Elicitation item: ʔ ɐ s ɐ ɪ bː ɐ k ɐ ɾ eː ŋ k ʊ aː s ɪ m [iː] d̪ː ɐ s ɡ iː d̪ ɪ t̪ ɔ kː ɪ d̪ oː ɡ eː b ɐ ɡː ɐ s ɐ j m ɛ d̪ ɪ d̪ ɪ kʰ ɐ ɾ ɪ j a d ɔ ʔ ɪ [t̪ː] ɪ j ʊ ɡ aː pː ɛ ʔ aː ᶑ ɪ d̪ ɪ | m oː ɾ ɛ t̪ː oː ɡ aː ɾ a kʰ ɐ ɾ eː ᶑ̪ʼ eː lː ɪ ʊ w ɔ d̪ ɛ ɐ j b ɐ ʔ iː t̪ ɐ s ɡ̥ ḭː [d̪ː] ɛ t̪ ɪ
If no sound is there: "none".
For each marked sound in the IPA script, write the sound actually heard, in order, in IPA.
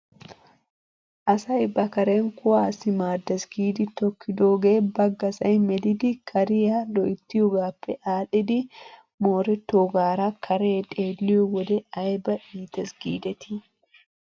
aː, t̪ː, d̪

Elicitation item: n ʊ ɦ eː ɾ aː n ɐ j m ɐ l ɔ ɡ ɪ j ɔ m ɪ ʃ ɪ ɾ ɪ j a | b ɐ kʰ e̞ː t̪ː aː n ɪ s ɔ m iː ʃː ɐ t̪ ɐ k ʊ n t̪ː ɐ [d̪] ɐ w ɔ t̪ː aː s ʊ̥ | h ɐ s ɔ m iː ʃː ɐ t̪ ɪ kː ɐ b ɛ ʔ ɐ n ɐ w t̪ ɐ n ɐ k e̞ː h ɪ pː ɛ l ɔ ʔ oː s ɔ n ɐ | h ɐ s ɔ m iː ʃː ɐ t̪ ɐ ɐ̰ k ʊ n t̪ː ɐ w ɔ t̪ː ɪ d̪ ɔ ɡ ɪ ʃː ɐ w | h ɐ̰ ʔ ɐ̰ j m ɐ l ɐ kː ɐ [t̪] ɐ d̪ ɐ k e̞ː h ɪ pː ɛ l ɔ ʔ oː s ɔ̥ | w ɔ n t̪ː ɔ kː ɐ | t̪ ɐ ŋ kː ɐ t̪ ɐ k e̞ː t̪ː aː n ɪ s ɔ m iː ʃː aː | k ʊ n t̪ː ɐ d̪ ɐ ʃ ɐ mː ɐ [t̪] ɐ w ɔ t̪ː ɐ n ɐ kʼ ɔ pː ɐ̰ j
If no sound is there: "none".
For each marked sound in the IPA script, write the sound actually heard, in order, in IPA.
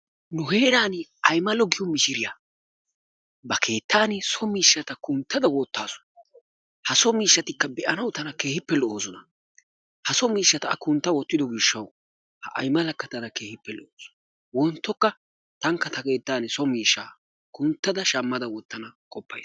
d̪, t̪, d̪

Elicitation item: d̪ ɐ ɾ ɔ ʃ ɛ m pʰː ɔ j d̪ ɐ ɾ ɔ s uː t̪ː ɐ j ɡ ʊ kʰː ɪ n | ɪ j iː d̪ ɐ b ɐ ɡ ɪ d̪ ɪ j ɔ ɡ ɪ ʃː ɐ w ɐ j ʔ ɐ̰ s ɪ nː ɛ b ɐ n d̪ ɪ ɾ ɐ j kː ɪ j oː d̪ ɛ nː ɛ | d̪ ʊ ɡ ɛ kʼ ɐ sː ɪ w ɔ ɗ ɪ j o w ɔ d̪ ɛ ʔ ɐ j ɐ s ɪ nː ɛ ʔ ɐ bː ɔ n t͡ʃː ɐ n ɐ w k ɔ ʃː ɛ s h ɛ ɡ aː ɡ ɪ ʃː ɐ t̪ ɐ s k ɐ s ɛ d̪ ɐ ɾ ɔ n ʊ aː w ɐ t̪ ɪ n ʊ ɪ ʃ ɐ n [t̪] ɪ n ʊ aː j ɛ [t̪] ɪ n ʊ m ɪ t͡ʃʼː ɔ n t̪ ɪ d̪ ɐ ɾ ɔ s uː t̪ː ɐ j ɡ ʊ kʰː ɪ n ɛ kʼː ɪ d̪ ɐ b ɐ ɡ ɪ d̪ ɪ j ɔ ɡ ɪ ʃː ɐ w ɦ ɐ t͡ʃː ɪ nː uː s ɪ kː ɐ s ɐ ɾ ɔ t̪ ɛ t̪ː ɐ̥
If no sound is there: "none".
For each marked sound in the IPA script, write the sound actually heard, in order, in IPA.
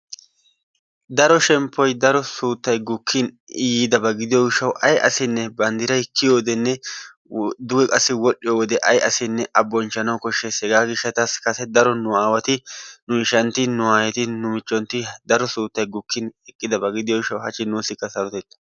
t̪, t̪

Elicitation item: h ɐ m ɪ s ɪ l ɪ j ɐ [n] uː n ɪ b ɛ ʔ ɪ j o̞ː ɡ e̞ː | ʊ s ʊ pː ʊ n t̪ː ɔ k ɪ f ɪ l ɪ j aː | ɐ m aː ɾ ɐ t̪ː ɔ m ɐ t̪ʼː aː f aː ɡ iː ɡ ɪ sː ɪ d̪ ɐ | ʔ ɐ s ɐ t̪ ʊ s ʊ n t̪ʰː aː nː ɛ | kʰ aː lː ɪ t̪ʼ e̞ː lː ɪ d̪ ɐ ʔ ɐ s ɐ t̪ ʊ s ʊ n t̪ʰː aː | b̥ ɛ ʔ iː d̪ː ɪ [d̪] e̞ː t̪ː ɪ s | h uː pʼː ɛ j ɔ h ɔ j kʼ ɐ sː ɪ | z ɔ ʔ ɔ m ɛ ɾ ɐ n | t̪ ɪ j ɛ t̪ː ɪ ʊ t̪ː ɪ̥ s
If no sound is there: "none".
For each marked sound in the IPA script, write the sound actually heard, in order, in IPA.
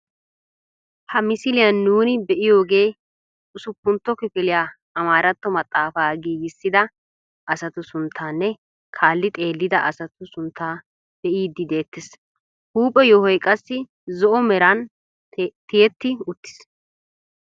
nː, d̪

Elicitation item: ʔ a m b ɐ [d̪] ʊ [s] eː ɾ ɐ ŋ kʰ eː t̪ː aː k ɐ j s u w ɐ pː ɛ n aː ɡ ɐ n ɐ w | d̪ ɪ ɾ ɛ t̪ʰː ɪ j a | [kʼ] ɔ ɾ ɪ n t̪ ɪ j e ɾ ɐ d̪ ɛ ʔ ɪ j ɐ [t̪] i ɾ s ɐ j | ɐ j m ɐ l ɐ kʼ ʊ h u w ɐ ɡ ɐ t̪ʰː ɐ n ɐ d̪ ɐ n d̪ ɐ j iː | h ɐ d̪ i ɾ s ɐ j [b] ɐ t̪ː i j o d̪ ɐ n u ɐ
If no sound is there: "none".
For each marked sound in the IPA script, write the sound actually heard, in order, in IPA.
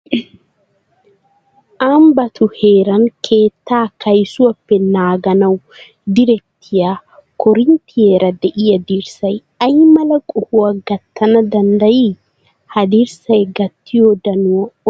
t̪, h, k, d̪, ɡ

